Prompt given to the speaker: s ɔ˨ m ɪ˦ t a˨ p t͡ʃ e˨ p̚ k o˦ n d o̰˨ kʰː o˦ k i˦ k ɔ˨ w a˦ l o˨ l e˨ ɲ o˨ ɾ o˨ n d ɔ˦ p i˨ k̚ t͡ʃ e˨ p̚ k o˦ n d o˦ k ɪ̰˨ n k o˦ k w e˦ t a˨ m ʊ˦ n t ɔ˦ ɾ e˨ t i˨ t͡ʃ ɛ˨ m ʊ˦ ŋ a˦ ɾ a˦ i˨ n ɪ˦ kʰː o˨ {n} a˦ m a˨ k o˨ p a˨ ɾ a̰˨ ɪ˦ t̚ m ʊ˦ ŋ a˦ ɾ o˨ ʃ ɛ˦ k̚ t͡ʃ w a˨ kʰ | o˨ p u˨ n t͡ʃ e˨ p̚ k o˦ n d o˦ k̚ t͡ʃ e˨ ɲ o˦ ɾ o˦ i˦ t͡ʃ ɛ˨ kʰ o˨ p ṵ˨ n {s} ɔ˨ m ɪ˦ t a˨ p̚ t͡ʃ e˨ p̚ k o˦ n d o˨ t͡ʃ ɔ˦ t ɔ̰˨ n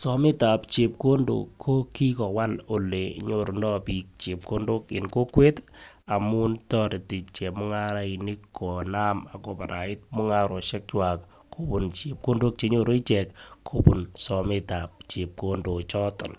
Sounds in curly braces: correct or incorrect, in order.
correct, correct

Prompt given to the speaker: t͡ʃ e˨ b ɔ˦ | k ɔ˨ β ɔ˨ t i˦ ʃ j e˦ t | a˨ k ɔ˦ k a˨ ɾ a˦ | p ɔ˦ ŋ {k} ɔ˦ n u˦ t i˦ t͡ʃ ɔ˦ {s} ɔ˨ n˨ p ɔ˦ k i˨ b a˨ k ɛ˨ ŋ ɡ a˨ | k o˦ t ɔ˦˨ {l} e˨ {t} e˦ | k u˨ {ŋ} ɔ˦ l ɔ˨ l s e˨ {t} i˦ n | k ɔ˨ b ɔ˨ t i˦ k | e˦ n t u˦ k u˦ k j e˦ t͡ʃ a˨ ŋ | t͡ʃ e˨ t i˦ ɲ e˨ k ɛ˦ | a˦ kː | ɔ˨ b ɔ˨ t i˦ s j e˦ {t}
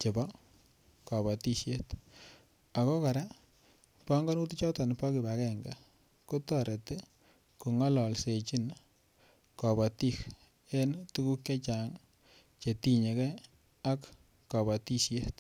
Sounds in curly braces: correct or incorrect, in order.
incorrect: ɡ, incorrect: t, incorrect: ɾ, correct, correct, incorrect: t͡ʃ, correct

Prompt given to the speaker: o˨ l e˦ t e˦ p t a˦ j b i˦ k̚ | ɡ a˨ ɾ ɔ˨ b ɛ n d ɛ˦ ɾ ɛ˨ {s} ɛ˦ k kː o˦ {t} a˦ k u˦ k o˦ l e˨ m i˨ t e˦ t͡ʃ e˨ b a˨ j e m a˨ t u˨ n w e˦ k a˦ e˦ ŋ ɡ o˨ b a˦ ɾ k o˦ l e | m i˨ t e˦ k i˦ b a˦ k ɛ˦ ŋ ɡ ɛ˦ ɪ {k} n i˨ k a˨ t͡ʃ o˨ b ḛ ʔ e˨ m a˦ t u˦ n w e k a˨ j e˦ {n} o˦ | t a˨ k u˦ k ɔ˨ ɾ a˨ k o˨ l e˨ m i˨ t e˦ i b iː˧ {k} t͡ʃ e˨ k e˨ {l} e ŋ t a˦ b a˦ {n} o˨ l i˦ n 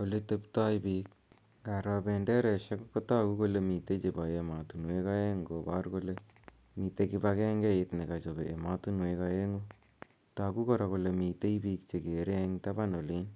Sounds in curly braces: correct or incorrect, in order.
incorrect: ʃ, correct, incorrect: t, incorrect: ŋ, correct, incorrect: ɾ, correct

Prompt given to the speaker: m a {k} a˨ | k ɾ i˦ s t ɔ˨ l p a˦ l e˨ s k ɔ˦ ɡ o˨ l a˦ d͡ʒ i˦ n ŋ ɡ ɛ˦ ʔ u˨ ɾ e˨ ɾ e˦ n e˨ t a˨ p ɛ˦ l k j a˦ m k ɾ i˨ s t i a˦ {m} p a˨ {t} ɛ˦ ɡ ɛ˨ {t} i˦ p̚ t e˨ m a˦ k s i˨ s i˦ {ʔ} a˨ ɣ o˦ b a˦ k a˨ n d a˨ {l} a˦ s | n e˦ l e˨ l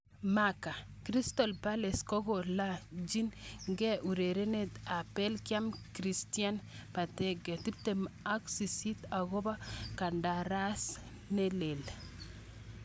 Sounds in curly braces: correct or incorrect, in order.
correct, incorrect: n, correct, correct, incorrect: t, incorrect: ɾ

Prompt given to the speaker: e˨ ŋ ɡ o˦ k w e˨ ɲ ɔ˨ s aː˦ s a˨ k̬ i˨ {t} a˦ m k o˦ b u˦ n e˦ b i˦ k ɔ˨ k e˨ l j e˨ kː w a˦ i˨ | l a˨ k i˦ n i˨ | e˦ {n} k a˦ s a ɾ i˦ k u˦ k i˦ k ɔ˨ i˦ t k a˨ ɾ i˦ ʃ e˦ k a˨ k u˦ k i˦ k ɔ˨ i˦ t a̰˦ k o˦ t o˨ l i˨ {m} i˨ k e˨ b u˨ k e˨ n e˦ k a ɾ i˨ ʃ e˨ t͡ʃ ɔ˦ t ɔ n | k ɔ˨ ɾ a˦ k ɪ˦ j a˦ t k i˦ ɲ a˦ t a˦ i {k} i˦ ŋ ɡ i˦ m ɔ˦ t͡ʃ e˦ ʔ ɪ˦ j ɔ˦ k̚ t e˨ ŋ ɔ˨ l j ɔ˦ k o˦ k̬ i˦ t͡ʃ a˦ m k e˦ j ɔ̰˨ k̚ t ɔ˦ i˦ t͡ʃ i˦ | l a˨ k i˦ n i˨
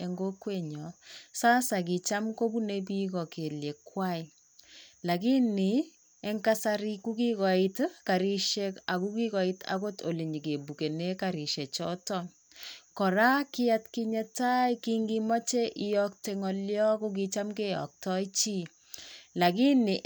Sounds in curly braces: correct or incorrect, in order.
incorrect: t͡ʃ, incorrect: ŋ, incorrect: ɲ, correct

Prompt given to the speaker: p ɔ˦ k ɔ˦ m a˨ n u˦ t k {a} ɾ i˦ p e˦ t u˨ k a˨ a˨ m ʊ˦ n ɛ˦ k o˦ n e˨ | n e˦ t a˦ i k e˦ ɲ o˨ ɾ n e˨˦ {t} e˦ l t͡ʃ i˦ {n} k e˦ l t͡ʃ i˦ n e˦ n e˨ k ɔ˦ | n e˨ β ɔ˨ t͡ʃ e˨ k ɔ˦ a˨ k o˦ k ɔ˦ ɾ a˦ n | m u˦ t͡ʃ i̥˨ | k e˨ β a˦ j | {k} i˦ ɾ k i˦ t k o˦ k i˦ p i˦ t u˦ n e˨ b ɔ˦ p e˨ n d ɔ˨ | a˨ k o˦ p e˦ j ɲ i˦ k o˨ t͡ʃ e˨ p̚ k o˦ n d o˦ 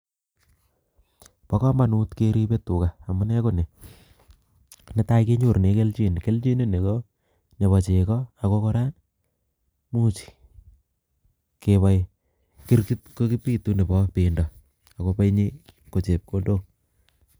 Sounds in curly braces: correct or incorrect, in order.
incorrect: e, incorrect: k, correct, correct

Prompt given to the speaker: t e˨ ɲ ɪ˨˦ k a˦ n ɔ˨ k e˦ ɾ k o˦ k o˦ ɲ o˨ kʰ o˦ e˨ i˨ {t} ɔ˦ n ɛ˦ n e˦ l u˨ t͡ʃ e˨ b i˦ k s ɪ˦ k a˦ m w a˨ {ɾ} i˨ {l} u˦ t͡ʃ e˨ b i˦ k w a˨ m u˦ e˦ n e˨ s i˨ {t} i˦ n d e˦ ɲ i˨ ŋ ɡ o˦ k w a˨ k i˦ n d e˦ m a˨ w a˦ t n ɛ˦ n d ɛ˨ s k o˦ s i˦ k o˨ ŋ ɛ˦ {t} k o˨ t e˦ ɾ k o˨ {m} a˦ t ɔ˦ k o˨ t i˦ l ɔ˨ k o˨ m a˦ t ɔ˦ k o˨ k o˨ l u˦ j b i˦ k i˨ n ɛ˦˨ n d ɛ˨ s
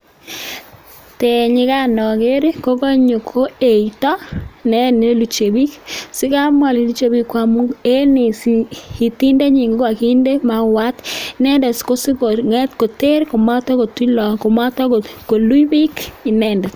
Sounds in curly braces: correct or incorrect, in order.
correct, incorrect: l, correct, correct, correct, correct

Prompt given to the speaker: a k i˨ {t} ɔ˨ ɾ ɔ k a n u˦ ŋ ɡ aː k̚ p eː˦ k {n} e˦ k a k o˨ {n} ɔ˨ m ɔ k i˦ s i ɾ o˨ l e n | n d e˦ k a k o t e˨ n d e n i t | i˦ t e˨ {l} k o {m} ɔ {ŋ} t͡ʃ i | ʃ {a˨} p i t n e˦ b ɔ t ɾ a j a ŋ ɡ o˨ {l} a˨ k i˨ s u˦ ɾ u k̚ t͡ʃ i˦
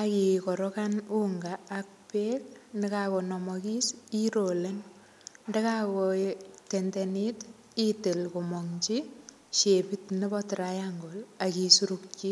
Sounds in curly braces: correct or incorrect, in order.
incorrect: k, correct, correct, correct, correct, correct, incorrect: e˨, correct

